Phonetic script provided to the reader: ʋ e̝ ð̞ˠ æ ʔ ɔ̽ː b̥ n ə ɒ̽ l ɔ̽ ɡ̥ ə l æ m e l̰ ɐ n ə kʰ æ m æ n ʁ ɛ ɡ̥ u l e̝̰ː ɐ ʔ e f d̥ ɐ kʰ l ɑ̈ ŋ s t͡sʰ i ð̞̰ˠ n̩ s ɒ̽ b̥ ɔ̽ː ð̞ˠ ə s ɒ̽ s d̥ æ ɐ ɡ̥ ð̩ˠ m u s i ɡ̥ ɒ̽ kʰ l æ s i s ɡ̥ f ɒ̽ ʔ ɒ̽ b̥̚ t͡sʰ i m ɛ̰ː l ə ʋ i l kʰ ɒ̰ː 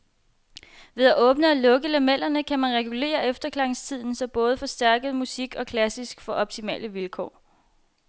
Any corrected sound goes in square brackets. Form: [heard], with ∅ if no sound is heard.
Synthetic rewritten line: ʋ e̝ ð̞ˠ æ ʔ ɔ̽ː b̥ n ə ɒ̽ l ɔ̽ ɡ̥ ə l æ m e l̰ ɐ n ə kʰ æ m æ n ʁ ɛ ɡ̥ u l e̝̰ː ɐ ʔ e f d̥ ɐ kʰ l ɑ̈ ŋ s t͡sʰ i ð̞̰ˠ n̩ s ɒ̽ b̥ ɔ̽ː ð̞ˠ ə [f] ɒ̽ s d̥ æ ɐ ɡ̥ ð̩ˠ m u s i ɡ̥ ɒ̽ kʰ l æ s i s ɡ̥ f ɒ̽ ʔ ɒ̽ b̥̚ t͡sʰ i m ɛ̰ː l ə ʋ i l kʰ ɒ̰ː